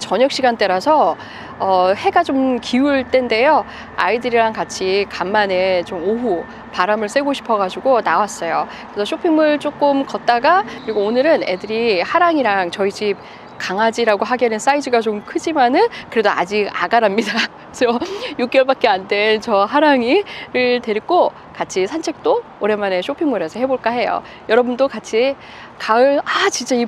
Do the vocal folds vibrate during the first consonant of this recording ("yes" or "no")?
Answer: no